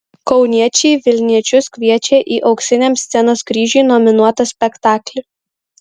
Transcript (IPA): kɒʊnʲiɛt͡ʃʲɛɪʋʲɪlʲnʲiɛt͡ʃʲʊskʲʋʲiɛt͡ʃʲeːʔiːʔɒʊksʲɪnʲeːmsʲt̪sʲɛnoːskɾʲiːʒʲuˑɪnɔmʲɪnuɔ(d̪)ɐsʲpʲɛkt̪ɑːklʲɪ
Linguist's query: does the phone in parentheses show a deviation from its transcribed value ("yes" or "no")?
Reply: yes